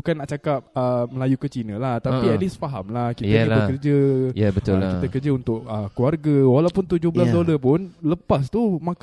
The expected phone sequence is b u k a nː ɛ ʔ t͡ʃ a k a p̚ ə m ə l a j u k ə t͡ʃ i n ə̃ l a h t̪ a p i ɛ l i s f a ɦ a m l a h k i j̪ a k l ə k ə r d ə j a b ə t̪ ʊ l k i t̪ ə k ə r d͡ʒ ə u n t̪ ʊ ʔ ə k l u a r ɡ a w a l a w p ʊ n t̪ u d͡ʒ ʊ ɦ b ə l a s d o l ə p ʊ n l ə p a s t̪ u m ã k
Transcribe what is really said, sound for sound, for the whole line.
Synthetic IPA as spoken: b u k a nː a ʔ t͡ʃ a k a p̚ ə m ə l a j u k ə t͡ʃ i n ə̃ l a h t̪ a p i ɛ l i s f a ɦ a m l a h k i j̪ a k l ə k ə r d͡ʒ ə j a b ə t̪ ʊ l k i t̪ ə k ə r d͡ʒ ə u n t̪ ʊ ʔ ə k l u a r ɡ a w a l a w p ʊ n t̪ u d͡ʒ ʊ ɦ b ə l a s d o l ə p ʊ n l ə p a s t̪ u m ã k